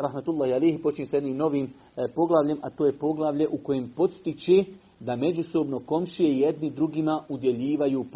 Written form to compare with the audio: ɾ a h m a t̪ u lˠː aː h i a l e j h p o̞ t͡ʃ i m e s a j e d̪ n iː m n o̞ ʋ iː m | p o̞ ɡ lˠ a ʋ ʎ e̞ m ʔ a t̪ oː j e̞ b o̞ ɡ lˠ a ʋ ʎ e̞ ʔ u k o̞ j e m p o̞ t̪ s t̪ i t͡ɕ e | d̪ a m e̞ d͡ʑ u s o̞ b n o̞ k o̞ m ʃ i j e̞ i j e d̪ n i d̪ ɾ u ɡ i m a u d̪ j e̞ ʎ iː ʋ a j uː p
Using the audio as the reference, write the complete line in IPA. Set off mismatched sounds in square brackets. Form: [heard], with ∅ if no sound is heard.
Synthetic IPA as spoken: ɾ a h m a t̪ u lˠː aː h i a l e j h p o̞ t͡ʃ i [ɲ] e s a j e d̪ n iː m n o̞ ʋ iː m | p o̞ ɡ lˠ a ʋ ʎ e̞ m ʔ a t̪ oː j e̞ [p] o̞ ɡ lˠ a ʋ ʎ e̞ ʔ u k o̞ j e m p o̞ t̪ s t̪ i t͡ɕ e | d̪ a m e̞ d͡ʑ u s o̞ b n o̞ k o̞ m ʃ i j e̞ i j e d̪ n i d̪ ɾ u ɡ i m a u d̪ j e̞ ʎ iː ʋ a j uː p